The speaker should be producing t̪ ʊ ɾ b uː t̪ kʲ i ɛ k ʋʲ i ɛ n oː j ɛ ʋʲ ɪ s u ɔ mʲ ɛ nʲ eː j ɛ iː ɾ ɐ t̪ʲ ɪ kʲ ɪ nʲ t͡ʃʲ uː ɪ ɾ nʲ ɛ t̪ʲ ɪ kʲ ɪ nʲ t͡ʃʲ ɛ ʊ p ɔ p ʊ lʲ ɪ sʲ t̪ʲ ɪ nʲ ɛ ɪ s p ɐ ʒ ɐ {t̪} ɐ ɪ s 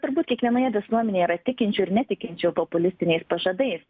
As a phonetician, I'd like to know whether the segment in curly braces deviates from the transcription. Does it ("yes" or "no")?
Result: yes